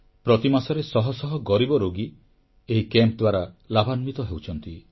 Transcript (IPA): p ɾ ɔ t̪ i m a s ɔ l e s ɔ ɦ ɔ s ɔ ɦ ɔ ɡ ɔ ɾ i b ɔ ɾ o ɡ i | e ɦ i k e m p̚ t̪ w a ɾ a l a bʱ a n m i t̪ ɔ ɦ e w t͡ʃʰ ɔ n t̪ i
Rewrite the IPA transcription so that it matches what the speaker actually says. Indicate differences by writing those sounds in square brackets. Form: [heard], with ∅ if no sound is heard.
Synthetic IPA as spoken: p ɾ ɔ t̪ i m a s ɔ [ɾ] e s ɔ ɦ ɔ s ɔ ɦ ɔ ɡ ɔ ɾ i b ɔ ɾ o ɡ i | e ɦ i k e m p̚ [d̪] w a ɾ a l a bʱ a n m i t̪ ɔ ɦ e w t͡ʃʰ ɔ n t̪ i